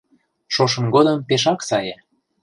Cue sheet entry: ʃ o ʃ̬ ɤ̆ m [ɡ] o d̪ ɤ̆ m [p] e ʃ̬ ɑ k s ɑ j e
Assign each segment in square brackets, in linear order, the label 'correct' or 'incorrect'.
correct, correct

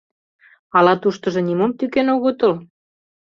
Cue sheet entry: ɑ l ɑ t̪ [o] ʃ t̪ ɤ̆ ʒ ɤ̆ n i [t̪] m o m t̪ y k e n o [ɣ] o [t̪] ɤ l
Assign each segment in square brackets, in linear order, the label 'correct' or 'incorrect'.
incorrect: u, incorrect: none, correct, correct

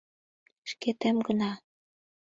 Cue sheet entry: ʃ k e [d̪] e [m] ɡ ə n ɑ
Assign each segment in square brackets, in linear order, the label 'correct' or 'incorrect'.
incorrect: t̪, correct

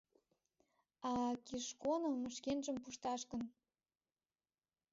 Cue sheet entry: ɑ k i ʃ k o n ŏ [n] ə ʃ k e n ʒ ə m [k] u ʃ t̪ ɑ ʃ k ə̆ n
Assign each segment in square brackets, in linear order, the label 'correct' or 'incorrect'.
incorrect: m, incorrect: p

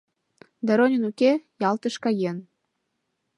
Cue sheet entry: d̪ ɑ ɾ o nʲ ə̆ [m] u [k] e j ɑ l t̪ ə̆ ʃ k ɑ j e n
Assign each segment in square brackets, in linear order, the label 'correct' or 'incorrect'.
incorrect: n, correct

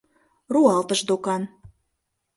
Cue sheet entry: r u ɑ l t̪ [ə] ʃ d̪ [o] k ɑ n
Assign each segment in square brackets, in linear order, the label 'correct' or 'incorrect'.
correct, correct

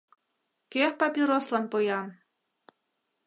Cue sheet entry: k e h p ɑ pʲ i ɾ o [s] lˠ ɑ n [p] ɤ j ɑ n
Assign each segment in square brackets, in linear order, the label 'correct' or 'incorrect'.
correct, correct

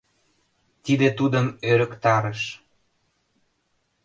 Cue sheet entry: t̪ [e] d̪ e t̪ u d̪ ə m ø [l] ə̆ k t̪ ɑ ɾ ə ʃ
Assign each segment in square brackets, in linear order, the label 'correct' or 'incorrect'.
incorrect: i, incorrect: ɾ

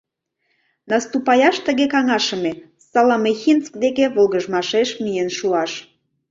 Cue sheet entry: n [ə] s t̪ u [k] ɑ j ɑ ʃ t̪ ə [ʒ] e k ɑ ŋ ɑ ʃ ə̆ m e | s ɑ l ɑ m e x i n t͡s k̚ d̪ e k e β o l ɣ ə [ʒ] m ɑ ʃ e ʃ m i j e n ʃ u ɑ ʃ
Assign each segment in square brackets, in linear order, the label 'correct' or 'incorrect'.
incorrect: ɑ, incorrect: p, incorrect: ɣ, correct

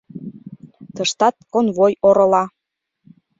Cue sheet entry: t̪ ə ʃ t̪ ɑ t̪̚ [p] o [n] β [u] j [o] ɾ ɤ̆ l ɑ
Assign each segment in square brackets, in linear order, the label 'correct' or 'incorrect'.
incorrect: k, correct, incorrect: o, correct

